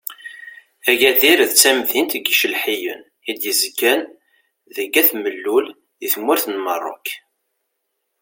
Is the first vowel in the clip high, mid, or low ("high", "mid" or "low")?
low